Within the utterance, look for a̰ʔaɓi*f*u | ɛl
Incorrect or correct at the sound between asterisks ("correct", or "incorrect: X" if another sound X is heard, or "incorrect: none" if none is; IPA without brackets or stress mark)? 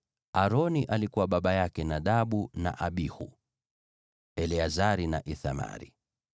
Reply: incorrect: h